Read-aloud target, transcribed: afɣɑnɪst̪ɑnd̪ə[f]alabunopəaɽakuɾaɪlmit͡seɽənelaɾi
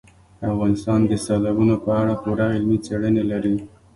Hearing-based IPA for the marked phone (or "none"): s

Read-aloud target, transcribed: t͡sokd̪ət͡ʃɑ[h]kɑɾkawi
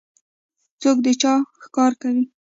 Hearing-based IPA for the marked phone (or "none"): x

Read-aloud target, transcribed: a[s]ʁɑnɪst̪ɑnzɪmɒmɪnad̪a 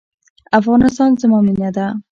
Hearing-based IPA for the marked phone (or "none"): f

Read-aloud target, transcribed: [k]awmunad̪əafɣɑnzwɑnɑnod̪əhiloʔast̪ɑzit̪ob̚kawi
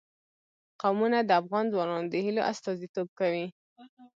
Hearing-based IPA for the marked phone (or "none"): q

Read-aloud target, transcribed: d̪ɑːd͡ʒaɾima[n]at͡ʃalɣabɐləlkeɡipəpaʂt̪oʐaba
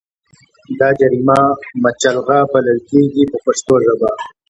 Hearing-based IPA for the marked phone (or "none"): m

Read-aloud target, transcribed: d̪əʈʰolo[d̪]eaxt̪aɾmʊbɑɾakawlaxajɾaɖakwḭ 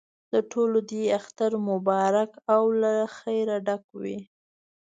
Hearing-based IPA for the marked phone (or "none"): d̪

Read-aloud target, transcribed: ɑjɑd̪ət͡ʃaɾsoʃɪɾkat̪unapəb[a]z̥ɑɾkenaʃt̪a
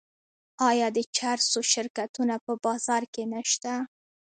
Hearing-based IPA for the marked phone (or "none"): ɑ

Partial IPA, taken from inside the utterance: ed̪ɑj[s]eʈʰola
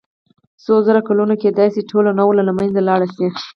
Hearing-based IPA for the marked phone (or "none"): s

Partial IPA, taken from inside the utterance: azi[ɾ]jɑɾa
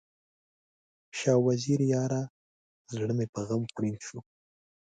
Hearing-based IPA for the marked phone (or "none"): ɾ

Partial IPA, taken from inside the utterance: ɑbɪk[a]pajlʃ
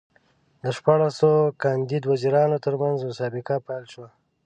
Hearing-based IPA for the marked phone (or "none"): a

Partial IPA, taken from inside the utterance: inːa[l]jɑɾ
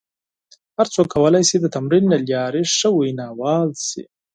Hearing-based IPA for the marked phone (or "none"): l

